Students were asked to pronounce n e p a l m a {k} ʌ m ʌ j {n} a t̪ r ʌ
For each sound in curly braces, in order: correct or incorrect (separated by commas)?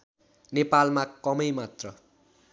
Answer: correct, incorrect